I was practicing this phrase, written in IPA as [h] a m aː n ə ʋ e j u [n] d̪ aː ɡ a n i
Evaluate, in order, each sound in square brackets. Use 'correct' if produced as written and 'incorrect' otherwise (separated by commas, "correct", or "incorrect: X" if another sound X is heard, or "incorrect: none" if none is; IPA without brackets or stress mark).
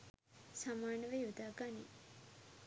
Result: incorrect: s, incorrect: none